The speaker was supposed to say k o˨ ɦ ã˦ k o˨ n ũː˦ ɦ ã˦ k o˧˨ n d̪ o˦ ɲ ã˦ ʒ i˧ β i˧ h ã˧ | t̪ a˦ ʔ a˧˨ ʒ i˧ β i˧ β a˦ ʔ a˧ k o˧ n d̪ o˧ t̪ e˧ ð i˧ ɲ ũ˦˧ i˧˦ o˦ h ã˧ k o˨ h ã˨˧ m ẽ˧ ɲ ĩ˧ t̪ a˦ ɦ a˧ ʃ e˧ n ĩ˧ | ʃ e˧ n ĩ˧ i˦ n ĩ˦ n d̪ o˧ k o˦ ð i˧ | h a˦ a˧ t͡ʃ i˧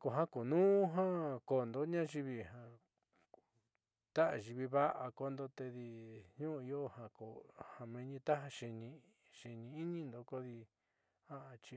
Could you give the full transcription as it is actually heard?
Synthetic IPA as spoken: k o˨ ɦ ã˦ k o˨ n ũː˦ ɦ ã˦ k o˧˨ n d̪ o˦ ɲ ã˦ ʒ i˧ β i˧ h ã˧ | t̪ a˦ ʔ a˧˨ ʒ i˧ β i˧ β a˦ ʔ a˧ k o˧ n d̪ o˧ t̪ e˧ ð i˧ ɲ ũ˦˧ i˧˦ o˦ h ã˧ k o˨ h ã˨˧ m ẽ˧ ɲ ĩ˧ t̪ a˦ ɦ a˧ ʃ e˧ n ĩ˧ | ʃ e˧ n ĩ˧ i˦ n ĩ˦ n d̪ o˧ k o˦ ð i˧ | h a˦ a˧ t͡ʃ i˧